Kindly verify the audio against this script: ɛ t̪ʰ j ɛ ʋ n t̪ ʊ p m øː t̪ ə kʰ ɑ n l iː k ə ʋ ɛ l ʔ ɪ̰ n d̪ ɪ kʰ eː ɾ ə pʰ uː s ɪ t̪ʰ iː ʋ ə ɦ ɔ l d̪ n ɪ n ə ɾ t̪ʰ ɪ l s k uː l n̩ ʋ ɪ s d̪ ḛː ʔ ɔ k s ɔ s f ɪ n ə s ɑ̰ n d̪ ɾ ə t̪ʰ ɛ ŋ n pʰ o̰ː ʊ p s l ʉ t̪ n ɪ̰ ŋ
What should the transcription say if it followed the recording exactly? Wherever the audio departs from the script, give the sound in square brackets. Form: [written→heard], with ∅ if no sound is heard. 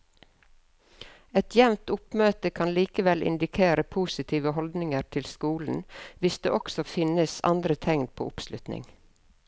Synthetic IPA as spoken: ɛ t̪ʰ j ɛ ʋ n t̪ ʊ p m øː t̪ ə kʰ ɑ n l iː k ə ʋ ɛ l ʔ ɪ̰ n d̪ ɪ kʰ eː ɾ ə pʰ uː s ɪ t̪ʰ iː ʋ ə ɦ ɔ l d̪ n ɪ [n→ŋ] ə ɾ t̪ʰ ɪ l s k uː l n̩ ʋ ɪ s d̪ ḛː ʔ ɔ k s ɔ [s→∅] f ɪ n ə s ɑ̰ n d̪ ɾ ə t̪ʰ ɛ ŋ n pʰ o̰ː ʊ p s l ʉ t̪ n ɪ̰ ŋ